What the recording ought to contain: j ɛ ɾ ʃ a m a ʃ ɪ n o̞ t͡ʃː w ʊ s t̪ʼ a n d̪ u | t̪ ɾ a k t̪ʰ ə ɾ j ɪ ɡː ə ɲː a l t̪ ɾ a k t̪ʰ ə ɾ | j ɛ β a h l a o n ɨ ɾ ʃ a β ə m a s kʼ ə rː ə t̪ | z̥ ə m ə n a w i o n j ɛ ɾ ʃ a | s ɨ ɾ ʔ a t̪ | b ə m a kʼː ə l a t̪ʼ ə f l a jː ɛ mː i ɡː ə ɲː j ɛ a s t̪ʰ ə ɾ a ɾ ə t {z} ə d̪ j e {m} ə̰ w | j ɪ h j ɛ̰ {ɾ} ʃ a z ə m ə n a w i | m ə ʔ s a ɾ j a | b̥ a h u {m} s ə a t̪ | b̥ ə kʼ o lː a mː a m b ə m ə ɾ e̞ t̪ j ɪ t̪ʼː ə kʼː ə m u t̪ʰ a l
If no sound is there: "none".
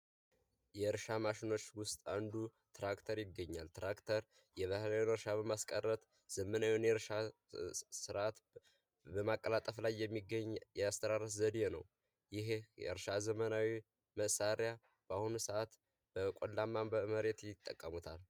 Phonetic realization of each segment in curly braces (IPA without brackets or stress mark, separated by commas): z, n, ɾ, n